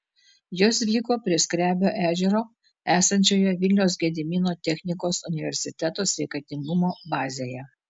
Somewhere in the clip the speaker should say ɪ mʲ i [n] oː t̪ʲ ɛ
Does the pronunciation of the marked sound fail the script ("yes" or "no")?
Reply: no